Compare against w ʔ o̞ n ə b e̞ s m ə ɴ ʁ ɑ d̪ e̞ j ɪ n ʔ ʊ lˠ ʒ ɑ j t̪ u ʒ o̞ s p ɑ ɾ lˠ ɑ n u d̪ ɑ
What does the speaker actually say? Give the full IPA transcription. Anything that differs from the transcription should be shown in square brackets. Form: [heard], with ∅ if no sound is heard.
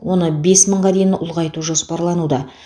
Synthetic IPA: w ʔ o̞ n ə b e̞ s m ə ɴ ʁ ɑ d̪ e̞ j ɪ n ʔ ʊ lˠ [ʁ] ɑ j t̪ u ʒ o̞ s p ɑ ɾ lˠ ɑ n u d̪ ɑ